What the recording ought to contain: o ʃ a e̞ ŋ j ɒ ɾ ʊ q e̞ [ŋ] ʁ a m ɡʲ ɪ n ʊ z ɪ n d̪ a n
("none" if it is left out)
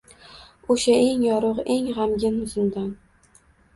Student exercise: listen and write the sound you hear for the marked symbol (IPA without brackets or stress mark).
ŋ